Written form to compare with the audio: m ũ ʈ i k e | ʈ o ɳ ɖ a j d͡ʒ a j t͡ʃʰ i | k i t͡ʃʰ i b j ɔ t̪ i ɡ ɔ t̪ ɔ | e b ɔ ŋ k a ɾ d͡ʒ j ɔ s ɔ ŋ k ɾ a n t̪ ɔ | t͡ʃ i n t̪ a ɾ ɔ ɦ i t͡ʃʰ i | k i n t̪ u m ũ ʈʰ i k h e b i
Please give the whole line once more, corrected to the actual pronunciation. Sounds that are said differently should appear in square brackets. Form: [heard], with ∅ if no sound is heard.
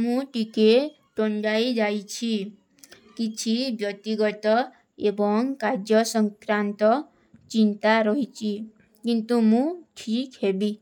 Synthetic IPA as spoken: m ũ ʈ i k e | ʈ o ɳ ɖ a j d͡ʒ a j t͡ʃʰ i | k i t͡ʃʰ i b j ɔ t̪ i ɡ ɔ t̪ ɔ | e b ɔ ŋ k a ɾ d͡ʒ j ɔ s ɔ ŋ k ɾ a n t̪ ɔ | t͡ʃ i n t̪ a ɾ ɔ ɦ i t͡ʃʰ i | k i n t̪ u m ũ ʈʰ i k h e b i